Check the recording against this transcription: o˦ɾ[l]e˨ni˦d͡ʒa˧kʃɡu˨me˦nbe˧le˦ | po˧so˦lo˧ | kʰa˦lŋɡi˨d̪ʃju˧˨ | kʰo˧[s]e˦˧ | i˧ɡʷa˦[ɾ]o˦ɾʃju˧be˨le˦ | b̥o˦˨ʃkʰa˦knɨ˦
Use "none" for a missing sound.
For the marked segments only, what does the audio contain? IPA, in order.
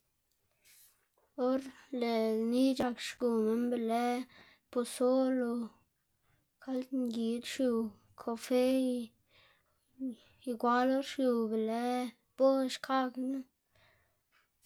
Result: l, f, l

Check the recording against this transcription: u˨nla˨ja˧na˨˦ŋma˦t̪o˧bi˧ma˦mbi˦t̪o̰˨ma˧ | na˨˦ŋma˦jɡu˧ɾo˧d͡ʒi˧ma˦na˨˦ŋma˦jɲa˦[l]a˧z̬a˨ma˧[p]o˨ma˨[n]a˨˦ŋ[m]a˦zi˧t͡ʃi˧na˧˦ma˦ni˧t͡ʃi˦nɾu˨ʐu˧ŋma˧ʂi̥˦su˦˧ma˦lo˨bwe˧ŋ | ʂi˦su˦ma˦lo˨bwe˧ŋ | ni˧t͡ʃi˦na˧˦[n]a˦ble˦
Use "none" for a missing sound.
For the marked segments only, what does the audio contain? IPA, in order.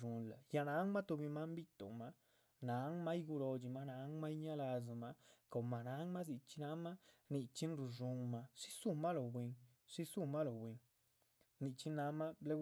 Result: l, k, n, m, m

